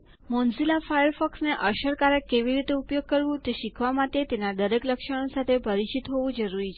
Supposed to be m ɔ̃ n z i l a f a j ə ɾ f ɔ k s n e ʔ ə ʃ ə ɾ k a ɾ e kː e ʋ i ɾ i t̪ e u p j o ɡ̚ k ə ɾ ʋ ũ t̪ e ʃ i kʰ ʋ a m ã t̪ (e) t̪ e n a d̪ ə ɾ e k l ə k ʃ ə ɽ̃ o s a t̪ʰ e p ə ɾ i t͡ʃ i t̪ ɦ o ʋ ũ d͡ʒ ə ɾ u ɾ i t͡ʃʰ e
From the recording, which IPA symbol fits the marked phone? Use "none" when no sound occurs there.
e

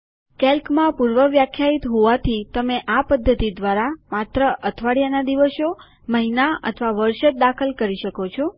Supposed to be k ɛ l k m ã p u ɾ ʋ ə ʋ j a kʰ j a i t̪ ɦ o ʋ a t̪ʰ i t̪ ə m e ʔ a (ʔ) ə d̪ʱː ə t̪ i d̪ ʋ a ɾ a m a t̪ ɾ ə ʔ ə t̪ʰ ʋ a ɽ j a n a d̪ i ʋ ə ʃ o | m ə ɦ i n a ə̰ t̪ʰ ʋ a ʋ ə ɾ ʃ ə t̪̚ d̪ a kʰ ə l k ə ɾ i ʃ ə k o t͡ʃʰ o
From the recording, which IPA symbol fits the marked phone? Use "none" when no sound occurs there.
p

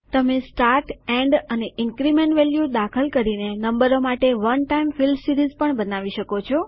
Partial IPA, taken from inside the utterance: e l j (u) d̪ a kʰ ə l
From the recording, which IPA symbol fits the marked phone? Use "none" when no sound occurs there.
u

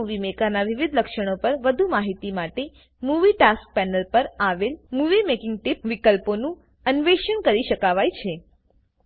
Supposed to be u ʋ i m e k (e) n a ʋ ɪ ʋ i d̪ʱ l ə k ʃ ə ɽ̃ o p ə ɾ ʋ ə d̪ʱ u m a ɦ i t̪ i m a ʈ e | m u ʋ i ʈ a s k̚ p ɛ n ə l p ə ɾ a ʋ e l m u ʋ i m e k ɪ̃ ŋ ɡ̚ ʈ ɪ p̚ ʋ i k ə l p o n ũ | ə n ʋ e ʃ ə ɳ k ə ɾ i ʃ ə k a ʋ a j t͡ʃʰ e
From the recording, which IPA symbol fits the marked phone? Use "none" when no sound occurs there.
a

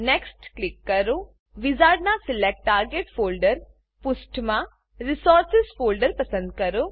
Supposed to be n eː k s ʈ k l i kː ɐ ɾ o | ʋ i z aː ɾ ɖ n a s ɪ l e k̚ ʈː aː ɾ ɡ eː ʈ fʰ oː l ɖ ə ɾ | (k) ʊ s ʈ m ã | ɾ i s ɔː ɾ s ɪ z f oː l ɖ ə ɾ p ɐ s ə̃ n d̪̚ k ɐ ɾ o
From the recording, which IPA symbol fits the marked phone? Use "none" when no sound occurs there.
p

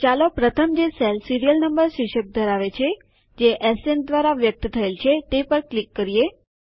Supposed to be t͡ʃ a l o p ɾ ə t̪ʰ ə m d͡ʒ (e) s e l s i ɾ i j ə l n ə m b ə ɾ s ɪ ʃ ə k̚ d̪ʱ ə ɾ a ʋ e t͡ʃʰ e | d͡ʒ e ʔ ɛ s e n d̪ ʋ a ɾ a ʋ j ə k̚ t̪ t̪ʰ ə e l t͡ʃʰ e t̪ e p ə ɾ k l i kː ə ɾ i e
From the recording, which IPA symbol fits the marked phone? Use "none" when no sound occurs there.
e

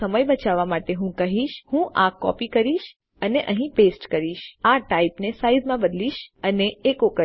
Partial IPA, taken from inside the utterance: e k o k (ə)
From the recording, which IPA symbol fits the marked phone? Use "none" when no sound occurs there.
ə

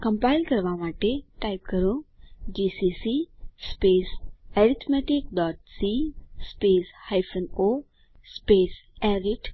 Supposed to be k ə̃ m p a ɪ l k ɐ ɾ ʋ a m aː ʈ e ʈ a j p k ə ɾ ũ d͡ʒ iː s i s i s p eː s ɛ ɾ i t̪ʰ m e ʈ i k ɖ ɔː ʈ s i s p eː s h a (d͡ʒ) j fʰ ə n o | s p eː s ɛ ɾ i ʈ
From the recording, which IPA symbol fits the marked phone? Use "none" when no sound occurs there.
none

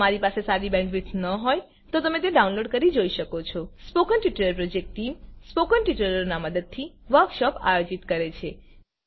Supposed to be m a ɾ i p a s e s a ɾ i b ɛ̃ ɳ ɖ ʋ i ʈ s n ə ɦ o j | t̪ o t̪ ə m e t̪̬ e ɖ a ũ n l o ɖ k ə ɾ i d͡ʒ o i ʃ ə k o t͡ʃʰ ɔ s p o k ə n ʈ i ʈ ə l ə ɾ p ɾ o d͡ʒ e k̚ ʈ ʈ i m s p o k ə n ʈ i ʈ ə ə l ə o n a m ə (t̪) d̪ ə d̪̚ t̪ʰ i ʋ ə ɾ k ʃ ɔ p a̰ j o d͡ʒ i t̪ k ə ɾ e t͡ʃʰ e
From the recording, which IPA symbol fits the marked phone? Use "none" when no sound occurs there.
none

